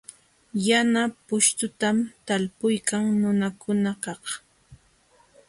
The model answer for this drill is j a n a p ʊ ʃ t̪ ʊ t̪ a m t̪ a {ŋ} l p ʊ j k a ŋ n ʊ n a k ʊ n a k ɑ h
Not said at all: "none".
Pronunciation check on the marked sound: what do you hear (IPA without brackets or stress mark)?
none